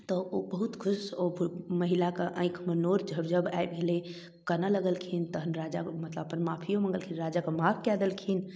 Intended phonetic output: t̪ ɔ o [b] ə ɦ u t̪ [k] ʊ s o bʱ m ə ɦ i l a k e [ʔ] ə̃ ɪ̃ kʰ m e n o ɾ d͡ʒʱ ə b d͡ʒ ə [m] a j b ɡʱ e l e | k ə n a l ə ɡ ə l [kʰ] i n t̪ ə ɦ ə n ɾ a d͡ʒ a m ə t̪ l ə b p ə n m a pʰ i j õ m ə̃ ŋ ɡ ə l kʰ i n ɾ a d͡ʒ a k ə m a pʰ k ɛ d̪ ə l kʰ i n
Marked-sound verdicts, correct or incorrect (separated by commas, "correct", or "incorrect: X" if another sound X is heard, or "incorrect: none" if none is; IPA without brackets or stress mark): correct, incorrect: kʰ, correct, incorrect: b, correct